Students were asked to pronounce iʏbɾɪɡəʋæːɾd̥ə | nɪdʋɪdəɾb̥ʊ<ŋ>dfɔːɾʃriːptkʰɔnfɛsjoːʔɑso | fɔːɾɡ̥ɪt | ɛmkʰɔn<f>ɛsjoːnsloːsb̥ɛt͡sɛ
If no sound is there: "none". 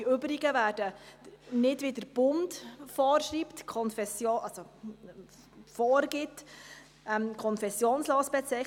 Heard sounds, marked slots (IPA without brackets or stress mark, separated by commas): n, f